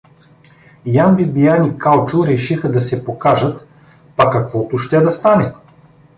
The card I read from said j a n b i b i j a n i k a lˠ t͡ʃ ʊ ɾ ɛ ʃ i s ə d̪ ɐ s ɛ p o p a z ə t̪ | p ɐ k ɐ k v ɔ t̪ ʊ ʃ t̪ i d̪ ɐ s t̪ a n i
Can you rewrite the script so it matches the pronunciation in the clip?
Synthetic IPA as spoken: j a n b i b i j a n i k a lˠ t͡ʃ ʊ ɾ ɛ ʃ i x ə d̪ ɐ s ɛ p o k a ʒ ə t̪ | p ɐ k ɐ k v ɔ t̪ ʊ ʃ t̪ ɛ d̪ ɐ s t̪ a n ɛ